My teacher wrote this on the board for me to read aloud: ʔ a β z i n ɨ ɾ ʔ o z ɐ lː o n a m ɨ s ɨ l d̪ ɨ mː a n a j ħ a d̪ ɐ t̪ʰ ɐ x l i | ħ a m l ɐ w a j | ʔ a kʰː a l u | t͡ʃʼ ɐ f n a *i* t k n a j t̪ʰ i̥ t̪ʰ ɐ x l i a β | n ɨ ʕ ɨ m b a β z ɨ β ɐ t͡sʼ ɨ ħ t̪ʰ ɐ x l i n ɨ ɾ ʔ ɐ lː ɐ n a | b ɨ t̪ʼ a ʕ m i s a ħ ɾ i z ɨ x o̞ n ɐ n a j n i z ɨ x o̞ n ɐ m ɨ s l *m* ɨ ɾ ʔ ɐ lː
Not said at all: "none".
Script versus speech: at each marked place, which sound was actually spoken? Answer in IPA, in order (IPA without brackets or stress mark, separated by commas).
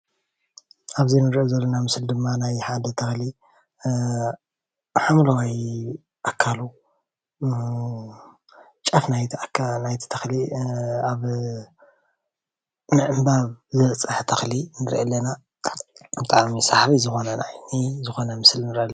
j, n